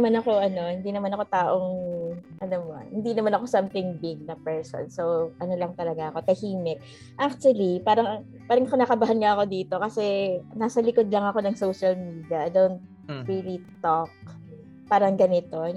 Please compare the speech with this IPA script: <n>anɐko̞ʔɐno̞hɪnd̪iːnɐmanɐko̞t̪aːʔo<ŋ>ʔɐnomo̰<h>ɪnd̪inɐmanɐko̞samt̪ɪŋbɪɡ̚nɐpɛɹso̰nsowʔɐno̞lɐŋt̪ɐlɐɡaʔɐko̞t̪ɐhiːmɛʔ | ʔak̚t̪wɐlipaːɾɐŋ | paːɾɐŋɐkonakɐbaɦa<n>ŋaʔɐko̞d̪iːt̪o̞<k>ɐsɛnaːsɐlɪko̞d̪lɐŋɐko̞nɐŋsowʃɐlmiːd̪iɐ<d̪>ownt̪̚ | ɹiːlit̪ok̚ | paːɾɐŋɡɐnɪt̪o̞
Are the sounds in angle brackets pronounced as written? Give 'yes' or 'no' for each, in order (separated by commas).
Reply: no, yes, yes, yes, yes, yes